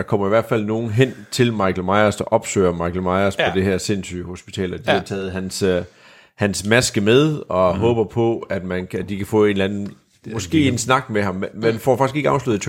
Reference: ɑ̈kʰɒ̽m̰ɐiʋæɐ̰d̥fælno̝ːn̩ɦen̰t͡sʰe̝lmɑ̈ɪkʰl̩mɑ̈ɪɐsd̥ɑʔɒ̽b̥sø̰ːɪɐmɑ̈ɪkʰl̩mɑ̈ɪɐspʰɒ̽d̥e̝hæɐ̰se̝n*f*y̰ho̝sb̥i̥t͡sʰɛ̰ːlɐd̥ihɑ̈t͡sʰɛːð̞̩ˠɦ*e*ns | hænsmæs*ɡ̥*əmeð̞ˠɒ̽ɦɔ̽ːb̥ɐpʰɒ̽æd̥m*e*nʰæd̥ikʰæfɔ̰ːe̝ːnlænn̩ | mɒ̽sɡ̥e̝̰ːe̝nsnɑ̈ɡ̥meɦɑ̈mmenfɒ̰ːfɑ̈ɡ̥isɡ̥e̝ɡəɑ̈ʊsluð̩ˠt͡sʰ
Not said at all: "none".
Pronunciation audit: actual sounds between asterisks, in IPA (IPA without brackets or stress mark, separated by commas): s, æ, ɡ̥, æ